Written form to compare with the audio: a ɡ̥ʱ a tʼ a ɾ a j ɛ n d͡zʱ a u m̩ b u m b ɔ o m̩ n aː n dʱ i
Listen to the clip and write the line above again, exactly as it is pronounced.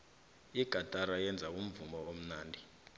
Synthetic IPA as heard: i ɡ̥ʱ a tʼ a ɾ a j ɛ n d͡zʱ a u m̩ v u m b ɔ o m̩ n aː n dʱ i